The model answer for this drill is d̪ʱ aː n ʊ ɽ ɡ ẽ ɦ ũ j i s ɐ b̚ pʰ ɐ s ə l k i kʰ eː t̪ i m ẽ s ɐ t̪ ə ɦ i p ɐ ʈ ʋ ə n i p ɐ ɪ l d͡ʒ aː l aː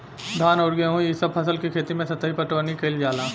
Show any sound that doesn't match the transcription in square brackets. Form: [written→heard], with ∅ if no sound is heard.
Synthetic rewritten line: d̪ʱ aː n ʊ ɽ ɡ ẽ ɦ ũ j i s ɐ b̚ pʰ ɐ s ə l k i kʰ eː t̪ i m ẽ s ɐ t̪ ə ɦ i p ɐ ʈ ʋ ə n i [p→k] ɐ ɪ l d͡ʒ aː l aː

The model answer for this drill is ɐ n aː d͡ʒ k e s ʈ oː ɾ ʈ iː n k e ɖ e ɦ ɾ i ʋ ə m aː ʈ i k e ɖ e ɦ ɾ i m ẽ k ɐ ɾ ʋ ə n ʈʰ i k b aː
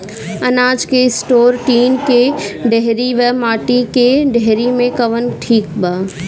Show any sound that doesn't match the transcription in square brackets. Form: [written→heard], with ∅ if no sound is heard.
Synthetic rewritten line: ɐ n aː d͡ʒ k e s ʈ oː ɾ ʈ iː n k e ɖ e ɦ ɾ i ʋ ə m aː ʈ i k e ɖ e ɦ ɾ i m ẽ k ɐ [ɾ→∅] ʋ ə n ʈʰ [i→iː] k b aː

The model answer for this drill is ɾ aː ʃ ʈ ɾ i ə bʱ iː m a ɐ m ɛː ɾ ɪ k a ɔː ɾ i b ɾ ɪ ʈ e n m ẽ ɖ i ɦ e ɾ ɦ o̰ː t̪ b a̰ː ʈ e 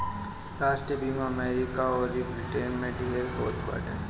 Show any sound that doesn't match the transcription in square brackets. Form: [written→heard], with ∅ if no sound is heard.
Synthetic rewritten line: ɾ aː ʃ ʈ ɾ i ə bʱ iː m a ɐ m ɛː ɾ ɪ k a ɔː ɾ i b ɾ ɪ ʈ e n m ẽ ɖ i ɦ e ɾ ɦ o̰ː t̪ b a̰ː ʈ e

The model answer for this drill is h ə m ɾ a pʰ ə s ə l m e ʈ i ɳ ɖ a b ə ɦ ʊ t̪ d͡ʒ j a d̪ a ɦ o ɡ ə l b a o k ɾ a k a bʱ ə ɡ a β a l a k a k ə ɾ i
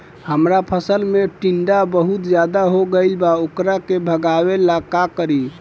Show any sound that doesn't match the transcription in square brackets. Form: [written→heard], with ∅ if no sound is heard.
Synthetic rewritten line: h ə m ɾ a pʰ ə s ə l m e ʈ i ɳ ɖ a b ə ɦ [ʊ→u] t̪ d͡ʒ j a d̪ a ɦ o ɡ ə l b a o k ɾ a k [a→e] bʱ ə ɡ a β [a→e] l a k a k ə ɾ i

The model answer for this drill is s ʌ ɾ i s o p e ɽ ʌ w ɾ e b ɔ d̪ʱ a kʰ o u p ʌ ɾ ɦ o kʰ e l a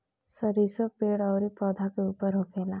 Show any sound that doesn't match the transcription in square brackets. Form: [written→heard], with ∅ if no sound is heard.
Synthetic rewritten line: s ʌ ɾ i s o p e ɽ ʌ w ɾ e [b→p] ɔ d̪ʱ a [kʰ→k] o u p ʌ ɾ ɦ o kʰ e l a

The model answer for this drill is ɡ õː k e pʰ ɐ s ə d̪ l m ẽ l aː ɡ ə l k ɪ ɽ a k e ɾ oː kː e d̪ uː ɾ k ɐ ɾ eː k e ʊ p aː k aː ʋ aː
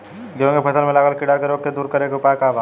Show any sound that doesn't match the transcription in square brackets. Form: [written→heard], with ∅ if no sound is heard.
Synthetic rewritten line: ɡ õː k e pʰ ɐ s ə [d̪→∅] l m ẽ l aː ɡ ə l k ɪ ɽ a k e ɾ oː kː e d̪ uː ɾ k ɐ ɾ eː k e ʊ p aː k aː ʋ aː

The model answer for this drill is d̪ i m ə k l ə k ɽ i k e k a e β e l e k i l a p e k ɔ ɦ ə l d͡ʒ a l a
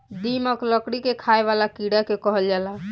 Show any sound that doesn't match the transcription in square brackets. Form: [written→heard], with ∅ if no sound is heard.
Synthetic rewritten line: d̪ i m ə k l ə k ɽ i k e [k→kʰ] a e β [e→a] l [e→a] k i [l→ɽ] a [p→k] e k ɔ ɦ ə l d͡ʒ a l a

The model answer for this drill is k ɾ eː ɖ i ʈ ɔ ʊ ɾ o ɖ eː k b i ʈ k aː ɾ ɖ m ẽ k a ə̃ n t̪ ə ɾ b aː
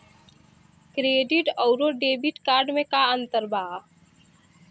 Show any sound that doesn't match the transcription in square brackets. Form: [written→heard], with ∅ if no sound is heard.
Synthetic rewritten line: k ɾ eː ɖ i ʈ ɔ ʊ ɾ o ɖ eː [k→∅] b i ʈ k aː ɾ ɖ m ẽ k a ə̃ n t̪ ə ɾ b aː

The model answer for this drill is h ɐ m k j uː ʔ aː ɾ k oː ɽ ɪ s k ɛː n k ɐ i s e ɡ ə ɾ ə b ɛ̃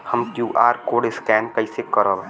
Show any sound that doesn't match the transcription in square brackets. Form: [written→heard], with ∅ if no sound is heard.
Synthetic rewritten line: h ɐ m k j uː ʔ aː ɾ k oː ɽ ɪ s k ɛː n k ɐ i s e [ɡ→k] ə ɾ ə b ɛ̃

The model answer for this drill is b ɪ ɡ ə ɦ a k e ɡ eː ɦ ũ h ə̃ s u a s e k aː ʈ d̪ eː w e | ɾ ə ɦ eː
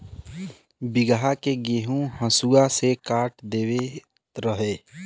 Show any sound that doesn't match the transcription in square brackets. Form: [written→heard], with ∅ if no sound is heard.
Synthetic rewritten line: b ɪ ɡ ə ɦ a k e ɡ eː ɦ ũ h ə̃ s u a s e k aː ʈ d̪ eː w e | ɾ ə ɦ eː

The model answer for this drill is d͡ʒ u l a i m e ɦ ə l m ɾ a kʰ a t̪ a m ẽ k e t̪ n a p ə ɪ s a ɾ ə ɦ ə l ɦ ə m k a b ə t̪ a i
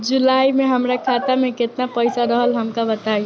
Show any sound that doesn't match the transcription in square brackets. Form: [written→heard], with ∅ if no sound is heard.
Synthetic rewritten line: d͡ʒ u l a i m e ɦ ə [l→∅] m ɾ a kʰ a t̪ a m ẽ k e t̪ n a p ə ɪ s a ɾ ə ɦ ə l ɦ ə m k a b ə t̪ a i

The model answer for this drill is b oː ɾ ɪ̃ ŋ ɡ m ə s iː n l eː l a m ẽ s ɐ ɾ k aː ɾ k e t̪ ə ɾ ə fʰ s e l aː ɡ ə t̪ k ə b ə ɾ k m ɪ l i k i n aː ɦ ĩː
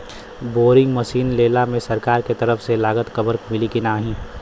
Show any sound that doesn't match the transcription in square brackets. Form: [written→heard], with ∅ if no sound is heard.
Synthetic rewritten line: b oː ɾ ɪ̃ ŋ ɡ m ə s iː n l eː l a m ẽ s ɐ ɾ k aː ɾ k e t̪ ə ɾ ə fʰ s e l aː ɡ ə t̪ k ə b ə ɾ k m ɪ l i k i n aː ɦ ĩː

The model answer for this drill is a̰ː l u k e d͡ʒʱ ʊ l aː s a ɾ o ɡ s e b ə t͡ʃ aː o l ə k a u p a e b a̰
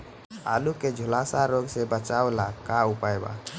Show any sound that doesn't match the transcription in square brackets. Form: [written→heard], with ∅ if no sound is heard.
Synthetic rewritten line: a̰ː l u k e d͡ʒʱ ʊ l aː s a ɾ o ɡ s e b ə t͡ʃ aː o l [ə→a] k a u p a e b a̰

